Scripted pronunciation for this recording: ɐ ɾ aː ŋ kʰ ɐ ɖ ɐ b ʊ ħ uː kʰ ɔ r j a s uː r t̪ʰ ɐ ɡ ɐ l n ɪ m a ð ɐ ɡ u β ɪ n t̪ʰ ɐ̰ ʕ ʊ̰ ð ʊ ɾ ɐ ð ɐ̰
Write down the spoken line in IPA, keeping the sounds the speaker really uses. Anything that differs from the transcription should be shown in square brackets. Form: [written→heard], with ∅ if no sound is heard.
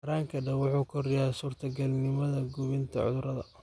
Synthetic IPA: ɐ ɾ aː ŋ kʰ ɐ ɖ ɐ [b→w] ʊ ħ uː kʰ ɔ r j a s uː r t̪ʰ ɐ ɡ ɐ l n ɪ m [a→ɐ] ð ɐ ɡ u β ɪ n t̪ʰ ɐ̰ ʕ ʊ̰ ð ʊ ɾ ɐ ð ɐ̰